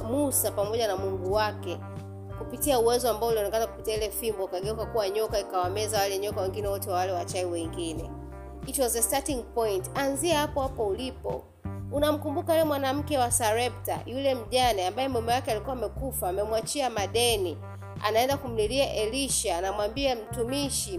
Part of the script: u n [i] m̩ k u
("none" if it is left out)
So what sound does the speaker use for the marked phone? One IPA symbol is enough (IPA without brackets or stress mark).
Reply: a